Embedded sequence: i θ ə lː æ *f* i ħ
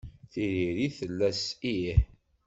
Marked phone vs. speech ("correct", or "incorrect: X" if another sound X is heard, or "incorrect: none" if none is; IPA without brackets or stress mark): incorrect: s